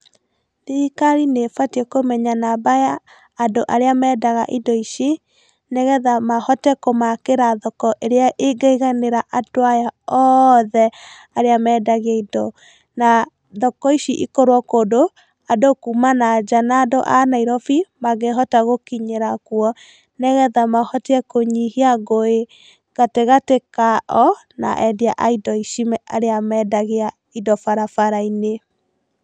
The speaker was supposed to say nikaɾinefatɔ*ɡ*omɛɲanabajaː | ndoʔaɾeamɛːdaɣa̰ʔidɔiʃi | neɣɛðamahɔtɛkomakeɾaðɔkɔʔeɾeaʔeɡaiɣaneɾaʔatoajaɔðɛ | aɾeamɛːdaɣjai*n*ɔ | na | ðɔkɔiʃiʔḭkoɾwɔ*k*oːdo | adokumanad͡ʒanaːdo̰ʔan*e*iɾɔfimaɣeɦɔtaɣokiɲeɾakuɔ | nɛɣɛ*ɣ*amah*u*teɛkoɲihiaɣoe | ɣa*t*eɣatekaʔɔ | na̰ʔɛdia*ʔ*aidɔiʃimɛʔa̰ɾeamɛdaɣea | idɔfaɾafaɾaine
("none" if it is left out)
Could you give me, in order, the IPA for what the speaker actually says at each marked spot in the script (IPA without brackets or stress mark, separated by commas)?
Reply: k, d, k, a, ð, ɔ, t, ʔ